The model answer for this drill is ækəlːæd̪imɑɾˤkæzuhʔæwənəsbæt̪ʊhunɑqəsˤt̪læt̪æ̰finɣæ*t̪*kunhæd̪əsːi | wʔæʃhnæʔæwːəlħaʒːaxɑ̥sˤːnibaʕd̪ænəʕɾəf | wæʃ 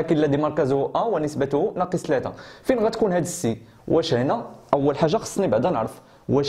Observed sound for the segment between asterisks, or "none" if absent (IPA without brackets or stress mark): t̪